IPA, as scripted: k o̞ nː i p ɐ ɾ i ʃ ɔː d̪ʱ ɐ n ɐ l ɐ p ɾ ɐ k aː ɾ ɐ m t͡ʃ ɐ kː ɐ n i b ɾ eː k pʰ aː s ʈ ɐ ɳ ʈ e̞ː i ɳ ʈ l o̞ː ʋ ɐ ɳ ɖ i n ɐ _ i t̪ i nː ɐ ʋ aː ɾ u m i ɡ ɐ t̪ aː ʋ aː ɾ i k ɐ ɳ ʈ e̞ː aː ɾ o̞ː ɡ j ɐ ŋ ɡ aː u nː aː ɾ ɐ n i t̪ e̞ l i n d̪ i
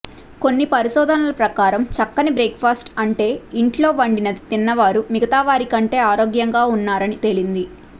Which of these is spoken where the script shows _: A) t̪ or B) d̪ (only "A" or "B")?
B